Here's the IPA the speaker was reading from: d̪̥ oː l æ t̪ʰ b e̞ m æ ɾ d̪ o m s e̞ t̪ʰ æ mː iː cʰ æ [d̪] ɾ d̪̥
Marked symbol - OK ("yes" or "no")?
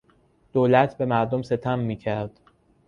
no